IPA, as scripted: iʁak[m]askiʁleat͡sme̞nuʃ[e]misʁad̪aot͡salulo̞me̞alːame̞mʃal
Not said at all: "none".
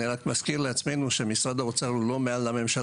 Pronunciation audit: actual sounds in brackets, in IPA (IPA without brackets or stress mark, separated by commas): m, e